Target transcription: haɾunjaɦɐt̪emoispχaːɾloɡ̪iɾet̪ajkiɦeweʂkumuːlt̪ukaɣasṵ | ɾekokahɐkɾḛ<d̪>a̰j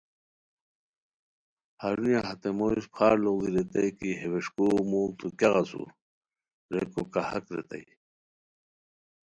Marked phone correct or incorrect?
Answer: incorrect: t̪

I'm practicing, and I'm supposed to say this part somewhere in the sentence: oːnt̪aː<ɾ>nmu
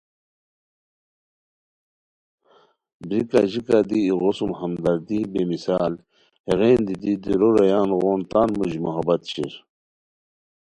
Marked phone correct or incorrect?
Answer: incorrect: none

